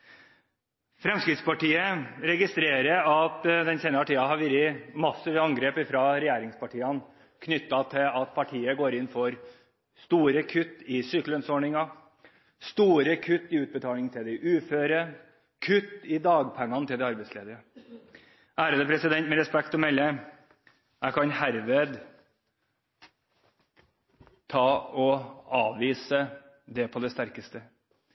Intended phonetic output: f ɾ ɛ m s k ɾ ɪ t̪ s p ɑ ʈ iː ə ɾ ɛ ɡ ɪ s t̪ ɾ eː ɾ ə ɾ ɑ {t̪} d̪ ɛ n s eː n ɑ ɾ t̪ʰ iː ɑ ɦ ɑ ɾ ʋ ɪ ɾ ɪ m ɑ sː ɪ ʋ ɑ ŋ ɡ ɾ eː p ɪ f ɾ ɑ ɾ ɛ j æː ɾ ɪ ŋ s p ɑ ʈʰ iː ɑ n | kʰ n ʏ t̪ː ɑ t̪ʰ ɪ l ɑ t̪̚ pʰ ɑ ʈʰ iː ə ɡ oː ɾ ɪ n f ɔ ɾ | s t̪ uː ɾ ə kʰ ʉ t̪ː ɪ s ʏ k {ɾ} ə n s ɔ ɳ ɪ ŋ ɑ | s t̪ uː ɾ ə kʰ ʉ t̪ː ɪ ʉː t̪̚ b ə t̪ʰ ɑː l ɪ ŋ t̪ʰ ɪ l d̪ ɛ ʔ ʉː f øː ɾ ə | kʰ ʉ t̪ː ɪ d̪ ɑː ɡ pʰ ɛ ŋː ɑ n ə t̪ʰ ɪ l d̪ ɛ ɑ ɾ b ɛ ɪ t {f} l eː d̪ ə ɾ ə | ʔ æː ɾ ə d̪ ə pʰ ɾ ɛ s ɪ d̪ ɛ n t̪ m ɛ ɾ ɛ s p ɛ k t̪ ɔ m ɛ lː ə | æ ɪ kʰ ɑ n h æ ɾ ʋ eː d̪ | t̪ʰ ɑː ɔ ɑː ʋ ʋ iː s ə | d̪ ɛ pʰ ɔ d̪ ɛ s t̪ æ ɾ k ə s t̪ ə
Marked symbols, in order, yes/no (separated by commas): yes, no, no